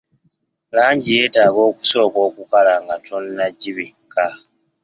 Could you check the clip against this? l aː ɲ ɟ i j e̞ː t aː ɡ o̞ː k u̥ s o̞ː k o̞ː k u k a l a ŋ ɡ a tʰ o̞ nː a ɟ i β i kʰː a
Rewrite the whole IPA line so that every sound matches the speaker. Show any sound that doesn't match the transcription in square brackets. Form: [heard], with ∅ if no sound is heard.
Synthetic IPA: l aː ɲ ɟ i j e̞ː t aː ɡ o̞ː k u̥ s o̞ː k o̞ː k u k a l a ŋ ɡ a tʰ o̞ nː a ɟ i β i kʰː a